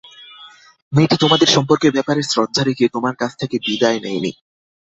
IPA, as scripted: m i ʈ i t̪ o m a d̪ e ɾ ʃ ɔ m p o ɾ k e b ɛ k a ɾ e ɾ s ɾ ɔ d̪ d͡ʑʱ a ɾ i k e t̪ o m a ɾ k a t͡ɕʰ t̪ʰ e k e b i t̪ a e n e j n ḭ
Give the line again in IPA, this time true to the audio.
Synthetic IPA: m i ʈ i t̪ o m a d̪ e ɾ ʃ ɔ m p o ɾ k e b ɛ p a ɾ e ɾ s ɾ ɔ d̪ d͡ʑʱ a ɾ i k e t̪ o m a ɾ k a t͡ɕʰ t̪ʰ e k e b i d̪ a e n e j n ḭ